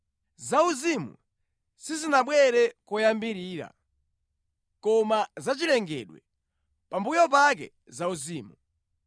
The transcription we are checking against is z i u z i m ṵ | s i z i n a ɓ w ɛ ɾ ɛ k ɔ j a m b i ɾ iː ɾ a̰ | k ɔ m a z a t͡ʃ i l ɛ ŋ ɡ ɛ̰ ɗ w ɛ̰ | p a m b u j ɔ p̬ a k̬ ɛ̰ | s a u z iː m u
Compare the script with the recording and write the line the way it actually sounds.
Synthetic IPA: z a u z i m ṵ | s i z i n a ɓ w ɛ ɾ ɛ k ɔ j a m b i ɾ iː ɾ a̰ | k ɔ m a z a t͡ʃ i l ɛ ŋ ɡ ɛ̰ ɗ w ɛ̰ | p a m b u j ɔ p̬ a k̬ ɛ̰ | z a u z iː m u